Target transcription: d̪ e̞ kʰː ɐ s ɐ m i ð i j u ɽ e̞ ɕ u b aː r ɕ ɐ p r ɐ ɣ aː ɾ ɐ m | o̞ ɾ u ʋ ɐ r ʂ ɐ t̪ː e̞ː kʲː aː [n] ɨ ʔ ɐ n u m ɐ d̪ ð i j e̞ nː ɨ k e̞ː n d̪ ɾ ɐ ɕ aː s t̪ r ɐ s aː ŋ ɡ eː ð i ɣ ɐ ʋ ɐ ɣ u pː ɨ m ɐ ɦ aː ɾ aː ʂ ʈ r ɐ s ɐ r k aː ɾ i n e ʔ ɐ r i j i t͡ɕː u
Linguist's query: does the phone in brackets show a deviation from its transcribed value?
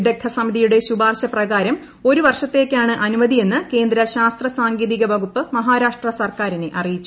yes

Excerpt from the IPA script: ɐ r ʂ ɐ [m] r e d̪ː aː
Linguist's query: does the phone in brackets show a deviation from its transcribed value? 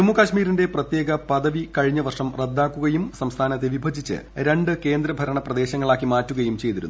no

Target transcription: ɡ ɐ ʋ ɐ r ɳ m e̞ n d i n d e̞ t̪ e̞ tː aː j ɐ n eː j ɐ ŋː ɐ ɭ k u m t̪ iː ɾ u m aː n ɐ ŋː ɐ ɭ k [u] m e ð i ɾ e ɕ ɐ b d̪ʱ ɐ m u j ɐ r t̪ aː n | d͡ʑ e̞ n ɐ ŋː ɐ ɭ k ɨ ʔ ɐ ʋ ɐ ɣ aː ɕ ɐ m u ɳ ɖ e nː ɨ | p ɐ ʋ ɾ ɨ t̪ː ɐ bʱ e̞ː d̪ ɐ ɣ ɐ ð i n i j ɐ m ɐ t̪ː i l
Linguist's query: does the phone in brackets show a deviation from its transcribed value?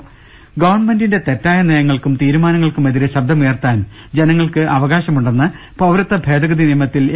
no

